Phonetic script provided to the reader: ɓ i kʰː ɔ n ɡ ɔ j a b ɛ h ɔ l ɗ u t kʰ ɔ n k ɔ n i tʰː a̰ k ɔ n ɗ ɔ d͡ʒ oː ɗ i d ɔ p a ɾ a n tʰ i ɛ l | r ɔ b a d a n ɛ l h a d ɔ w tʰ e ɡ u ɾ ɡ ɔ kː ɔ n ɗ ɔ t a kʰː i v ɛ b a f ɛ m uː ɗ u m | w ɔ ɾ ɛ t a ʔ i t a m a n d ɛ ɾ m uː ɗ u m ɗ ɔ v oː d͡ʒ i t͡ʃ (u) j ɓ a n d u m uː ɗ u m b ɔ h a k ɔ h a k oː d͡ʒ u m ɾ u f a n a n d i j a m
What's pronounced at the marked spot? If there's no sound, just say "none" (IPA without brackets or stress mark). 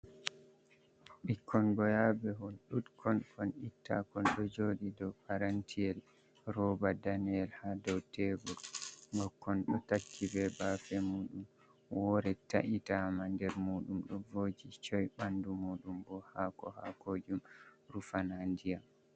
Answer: ɔ